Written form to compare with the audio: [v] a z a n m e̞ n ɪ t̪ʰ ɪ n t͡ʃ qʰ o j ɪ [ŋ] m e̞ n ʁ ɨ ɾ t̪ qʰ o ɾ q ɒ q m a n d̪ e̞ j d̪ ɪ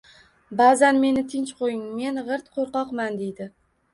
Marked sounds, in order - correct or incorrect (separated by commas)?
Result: incorrect, correct